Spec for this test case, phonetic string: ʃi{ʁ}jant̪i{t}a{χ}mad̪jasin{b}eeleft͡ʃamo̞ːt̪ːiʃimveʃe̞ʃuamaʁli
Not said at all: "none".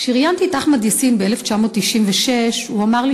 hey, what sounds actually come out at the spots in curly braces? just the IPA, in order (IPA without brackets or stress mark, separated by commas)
ʁ, t, χ, b